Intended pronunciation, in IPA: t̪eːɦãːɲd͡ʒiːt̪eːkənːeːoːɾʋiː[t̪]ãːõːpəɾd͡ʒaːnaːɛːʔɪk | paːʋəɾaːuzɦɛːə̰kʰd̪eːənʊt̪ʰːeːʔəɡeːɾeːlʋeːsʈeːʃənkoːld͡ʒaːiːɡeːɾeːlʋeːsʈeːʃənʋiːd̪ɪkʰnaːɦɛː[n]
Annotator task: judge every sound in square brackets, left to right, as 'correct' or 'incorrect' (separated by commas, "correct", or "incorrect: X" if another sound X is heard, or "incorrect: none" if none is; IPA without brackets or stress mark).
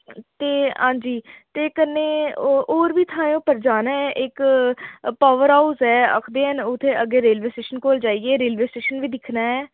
incorrect: t̪ʰ, incorrect: none